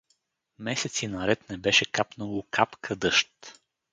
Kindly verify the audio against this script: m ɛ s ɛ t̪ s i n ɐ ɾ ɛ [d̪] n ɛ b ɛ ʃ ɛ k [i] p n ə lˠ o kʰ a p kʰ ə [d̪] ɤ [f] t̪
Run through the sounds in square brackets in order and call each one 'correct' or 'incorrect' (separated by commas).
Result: incorrect, incorrect, correct, incorrect